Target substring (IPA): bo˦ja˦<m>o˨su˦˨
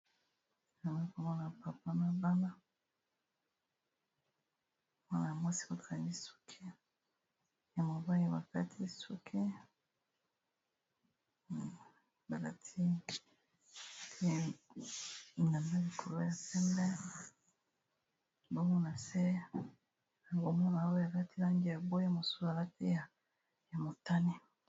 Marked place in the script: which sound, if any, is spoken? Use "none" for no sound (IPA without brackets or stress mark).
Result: m